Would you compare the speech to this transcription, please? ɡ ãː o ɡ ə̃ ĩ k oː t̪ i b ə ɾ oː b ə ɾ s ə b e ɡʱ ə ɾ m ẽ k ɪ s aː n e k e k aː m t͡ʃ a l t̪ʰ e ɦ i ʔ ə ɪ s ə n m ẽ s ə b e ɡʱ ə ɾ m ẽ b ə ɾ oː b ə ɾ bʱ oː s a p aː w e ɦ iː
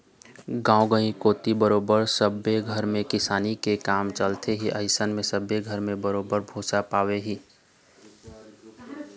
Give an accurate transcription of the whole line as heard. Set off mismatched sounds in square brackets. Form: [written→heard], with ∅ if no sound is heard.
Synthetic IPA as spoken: ɡ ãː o ɡ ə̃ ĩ k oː t̪ i b ə ɾ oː b ə ɾ s ə b e ɡʱ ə ɾ m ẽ k ɪ s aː n [e→i] k e k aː m t͡ʃ [a→ə] l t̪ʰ e ɦ i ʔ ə ɪ s ə n m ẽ s ə b e ɡʱ ə ɾ m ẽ b ə ɾ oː b ə ɾ bʱ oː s a p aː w e ɦ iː